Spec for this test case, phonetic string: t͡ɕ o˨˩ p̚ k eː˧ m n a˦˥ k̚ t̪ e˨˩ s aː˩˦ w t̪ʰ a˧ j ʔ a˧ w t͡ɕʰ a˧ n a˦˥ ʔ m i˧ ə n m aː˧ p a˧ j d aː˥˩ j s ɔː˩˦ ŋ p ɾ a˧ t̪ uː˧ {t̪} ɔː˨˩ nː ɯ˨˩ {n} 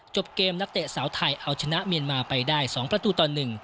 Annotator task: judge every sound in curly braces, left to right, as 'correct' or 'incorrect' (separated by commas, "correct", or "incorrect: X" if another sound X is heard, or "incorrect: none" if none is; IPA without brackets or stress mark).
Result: correct, incorrect: ŋ